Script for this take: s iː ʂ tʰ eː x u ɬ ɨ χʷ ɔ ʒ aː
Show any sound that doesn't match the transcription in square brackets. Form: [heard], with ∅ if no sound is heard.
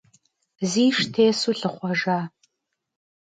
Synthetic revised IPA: [z] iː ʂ tʰ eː [s] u ɬ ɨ χʷ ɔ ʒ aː